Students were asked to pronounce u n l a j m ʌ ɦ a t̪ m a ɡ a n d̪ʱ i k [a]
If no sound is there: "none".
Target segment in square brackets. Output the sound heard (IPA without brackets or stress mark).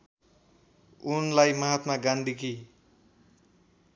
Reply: i